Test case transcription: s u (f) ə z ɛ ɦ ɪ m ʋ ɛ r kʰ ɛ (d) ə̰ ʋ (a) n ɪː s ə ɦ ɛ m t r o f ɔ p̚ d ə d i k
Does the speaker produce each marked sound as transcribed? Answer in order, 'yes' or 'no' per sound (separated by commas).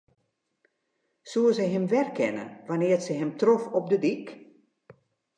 no, no, yes